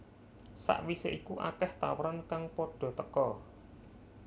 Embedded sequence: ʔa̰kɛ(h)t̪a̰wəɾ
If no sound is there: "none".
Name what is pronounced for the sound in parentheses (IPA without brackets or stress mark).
h